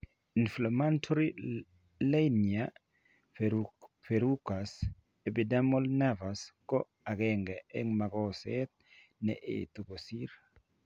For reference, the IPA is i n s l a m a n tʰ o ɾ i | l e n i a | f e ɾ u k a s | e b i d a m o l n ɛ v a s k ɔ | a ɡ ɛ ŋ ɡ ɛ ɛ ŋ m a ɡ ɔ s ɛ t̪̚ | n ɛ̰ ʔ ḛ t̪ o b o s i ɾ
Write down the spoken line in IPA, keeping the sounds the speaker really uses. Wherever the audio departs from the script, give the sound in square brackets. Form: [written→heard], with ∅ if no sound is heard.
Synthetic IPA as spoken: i n [s→f] l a m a n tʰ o ɾ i | l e n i a | f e ɾ u k a s | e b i d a m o l n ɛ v a s k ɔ | a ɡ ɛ ŋ ɡ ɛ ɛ ŋ m a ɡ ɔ s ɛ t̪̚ | n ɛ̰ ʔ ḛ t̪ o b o s i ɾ